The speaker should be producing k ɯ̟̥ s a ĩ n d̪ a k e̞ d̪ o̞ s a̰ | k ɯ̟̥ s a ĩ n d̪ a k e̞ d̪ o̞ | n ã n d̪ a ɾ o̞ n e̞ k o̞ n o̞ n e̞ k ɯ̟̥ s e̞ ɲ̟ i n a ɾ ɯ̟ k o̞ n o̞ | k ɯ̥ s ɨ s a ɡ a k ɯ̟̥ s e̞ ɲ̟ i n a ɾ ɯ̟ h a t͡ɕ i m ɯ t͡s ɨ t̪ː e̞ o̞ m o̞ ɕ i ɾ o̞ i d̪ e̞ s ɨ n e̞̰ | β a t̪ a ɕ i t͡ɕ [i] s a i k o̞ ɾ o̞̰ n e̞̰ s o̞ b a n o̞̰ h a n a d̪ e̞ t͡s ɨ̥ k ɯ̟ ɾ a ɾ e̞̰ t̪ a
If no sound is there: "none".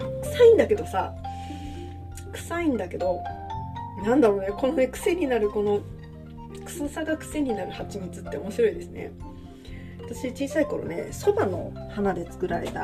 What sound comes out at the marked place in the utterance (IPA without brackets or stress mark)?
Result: iː